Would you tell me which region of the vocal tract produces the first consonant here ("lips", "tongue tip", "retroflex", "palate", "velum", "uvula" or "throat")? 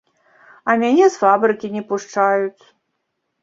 lips